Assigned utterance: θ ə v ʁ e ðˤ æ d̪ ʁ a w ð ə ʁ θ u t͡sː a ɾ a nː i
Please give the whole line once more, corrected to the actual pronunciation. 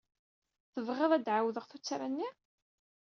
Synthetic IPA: θ ə v ʁ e ðˤ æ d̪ ʕ a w ð ə ʁ θ u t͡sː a ɾ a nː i

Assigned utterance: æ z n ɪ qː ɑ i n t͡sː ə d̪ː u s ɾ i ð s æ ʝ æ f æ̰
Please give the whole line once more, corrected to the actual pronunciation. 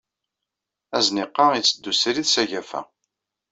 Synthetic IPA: æ z n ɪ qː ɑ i t͡sː ə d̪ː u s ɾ i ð s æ ʝ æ f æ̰

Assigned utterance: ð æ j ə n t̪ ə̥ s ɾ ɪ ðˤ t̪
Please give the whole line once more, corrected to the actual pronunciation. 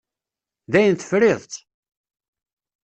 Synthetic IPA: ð æ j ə n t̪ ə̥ f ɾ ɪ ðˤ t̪

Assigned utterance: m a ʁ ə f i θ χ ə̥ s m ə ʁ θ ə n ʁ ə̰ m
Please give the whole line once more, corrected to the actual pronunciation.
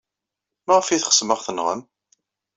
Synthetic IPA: m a ʁ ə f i θ χ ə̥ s m ə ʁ θ ə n ʁ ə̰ m

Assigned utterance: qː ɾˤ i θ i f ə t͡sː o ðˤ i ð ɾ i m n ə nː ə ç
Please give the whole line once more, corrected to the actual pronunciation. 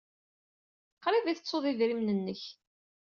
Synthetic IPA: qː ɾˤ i ð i θ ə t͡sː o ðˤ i ð ɾ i m n ə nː ə ç

